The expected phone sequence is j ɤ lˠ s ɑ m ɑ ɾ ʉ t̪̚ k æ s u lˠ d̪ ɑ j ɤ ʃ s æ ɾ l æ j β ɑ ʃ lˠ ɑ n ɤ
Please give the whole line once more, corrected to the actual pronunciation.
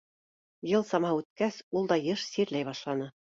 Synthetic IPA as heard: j ɤ lˠ s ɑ m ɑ ʉ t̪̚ k æ s u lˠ d̪ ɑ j ɤ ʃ s i ɾ l æ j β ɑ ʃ lˠ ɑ n ɤ